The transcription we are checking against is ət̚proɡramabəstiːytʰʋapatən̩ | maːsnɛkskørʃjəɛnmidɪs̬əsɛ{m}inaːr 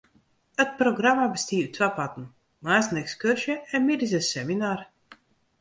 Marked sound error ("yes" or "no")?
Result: no